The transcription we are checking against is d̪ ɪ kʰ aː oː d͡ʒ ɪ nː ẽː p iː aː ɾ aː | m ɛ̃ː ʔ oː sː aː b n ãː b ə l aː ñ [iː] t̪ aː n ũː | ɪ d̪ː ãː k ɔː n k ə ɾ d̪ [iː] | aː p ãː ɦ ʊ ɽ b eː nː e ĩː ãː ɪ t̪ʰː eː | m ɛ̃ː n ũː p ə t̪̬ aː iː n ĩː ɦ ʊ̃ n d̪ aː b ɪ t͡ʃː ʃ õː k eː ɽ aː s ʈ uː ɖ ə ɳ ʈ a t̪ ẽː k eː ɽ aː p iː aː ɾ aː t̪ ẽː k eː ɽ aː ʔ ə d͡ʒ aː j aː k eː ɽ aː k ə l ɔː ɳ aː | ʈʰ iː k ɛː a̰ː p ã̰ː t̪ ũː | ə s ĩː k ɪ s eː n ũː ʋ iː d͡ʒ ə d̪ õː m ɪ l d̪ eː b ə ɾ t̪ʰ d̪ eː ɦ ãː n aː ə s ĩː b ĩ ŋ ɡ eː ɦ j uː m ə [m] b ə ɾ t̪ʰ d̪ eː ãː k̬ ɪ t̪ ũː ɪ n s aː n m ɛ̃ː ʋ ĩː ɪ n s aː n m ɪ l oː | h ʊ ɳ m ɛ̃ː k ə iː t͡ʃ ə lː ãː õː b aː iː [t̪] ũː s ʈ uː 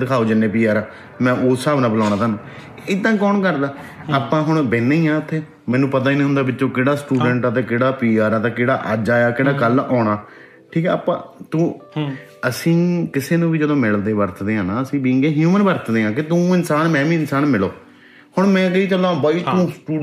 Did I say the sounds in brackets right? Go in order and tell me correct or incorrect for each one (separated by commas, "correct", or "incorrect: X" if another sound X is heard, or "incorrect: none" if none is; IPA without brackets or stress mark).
incorrect: aː, incorrect: aː, incorrect: n, correct